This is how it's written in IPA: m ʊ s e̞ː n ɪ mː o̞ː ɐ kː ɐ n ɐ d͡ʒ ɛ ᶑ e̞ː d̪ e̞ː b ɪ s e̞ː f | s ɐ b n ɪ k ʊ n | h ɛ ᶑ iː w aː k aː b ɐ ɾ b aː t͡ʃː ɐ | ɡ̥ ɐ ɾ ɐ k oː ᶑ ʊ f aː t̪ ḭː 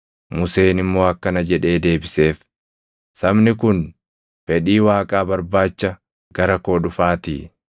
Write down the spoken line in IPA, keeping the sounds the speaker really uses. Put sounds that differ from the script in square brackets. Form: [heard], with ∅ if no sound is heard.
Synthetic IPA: m ʊ s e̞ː n ɪ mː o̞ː ɐ kː ɐ n ɐ d͡ʒ ɛ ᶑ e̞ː d̪ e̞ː b ɪ s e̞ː f | s ɐ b n ɪ k ʊ n | [f] ɛ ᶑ iː w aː [kʼ] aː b ɐ ɾ b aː t͡ʃː ɐ | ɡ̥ ɐ ɾ ɐ k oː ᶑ ʊ f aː t̪ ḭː

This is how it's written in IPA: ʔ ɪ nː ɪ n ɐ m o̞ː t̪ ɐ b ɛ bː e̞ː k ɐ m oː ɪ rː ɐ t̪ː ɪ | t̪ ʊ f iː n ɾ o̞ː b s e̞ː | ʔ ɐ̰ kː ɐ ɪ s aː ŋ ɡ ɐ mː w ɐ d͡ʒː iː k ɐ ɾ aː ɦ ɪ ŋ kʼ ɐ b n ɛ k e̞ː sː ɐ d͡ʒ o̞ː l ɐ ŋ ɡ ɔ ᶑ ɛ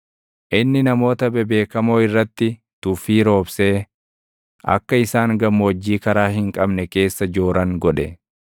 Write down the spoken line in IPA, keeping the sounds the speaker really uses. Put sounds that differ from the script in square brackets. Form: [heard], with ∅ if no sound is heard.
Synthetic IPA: ʔ ɪ nː ɪ n ɐ m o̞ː t̪ ɐ b ɛ [b] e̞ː k ɐ m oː ɪ rː ɐ t̪ː ɪ | t̪ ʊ f iː [∅] ɾ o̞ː b s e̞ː | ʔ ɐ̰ kː ɐ ɪ s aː ŋ ɡ ɐ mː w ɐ d͡ʒː iː k ɐ ɾ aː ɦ ɪ ŋ kʼ ɐ b n ɛ k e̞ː sː ɐ d͡ʒ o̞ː [ɾ] ɐ ŋ ɡ ɔ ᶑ ɛ

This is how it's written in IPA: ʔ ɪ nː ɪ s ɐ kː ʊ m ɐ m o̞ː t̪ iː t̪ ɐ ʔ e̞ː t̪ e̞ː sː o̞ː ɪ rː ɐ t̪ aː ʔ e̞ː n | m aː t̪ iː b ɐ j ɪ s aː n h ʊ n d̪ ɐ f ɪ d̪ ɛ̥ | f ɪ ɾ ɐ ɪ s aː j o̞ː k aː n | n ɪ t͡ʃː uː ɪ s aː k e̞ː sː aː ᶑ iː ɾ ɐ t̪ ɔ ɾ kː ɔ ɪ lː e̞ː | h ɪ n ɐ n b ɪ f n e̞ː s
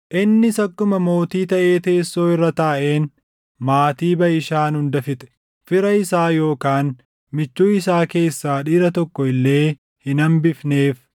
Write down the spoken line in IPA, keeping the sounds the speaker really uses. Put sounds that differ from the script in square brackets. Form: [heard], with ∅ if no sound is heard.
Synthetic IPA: ʔ ɪ nː ɪ s ɐ kː ʊ m ɐ m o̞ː t̪ iː t̪ ɐ ʔ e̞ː t̪ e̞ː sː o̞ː ɪ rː ɐ t̪ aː ʔ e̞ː n | m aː t̪ iː b ɐ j ɪ [ʃ] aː n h ʊ n d̪ ɐ f ɪ [t̪] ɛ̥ | f ɪ ɾ ɐ ɪ s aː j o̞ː k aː n | [m] ɪ t͡ʃː uː ɪ s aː k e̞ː sː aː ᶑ iː ɾ ɐ t̪ ɔ [∅] kː ɔ ɪ lː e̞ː | h ɪ n ɐ [m] b ɪ f n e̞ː [f]

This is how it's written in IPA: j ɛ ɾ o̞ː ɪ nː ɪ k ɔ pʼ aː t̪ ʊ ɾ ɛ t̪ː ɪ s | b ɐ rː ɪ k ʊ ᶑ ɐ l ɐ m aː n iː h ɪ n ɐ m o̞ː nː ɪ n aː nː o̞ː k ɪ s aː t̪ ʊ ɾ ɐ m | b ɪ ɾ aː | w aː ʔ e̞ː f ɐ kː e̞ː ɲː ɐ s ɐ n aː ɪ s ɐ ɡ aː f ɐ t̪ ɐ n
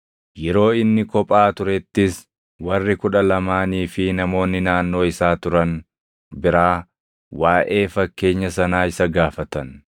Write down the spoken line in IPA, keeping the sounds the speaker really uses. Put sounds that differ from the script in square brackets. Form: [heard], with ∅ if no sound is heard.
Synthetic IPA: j ɛ ɾ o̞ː ɪ nː ɪ k ɔ pʼ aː t̪ ʊ ɾ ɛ t̪ː ɪ s | [w] ɐ rː ɪ k ʊ ᶑ ɐ l ɐ m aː n iː [f] ɪ n ɐ m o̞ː nː ɪ n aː nː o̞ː [∅] ɪ s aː t̪ ʊ ɾ ɐ [n] | b ɪ ɾ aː | w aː ʔ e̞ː f ɐ kː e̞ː ɲː ɐ s ɐ n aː ɪ s ɐ ɡ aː f ɐ t̪ ɐ n

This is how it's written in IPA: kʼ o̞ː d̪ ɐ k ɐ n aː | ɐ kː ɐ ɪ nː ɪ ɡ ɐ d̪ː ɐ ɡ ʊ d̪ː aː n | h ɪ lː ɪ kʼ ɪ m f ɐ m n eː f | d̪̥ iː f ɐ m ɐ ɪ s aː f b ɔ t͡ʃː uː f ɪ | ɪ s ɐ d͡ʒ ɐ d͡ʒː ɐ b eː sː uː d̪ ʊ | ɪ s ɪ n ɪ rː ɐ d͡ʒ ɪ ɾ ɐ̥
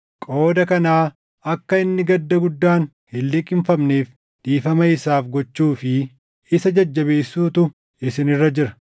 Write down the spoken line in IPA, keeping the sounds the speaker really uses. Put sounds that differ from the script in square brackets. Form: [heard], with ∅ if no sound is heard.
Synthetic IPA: kʼ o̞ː d̪ ɐ k ɐ n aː | ɐ kː ɐ ɪ nː ɪ ɡ ɐ d̪ː ɐ ɡ ʊ d̪ː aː n | h ɪ lː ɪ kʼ ɪ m f ɐ m n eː f | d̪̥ iː f ɐ m ɐ ɪ s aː f [ɡ] ɔ t͡ʃː uː f ɪ | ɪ s ɐ d͡ʒ ɐ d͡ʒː ɐ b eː sː uː [t̪] ʊ | ɪ s ɪ n ɪ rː ɐ d͡ʒ ɪ ɾ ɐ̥

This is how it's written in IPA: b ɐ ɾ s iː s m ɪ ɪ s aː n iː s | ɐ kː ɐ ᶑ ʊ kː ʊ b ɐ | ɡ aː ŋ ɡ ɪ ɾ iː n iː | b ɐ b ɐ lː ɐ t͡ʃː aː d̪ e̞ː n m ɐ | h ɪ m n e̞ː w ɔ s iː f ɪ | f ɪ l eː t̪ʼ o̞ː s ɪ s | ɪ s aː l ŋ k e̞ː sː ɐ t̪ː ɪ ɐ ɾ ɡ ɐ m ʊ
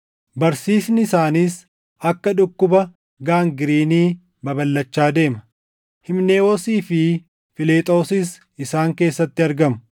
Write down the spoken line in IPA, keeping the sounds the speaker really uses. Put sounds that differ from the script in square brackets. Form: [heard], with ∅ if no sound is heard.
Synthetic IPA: b ɐ ɾ s iː s [n] ɪ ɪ s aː n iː s | ɐ kː ɐ ᶑ ʊ kː ʊ b ɐ | ɡ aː ŋ ɡ ɪ ɾ iː n iː | b ɐ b ɐ lː ɐ t͡ʃː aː d̪ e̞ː [∅] m ɐ | h ɪ m n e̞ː w ɔ s iː f ɪ | f ɪ l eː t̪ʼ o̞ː s ɪ s | ɪ s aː [∅] ŋ k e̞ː sː ɐ t̪ː ɪ ɐ ɾ ɡ ɐ m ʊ

